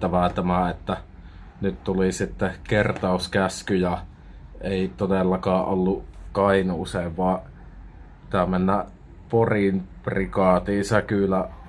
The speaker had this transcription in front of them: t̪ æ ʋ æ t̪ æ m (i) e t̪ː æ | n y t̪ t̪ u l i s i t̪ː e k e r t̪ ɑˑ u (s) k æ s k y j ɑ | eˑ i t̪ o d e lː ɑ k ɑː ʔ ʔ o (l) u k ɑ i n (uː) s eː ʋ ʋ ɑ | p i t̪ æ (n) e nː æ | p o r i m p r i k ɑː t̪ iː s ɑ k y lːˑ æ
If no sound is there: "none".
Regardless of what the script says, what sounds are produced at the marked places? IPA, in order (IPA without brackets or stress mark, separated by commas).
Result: æ, s, lː, uː, m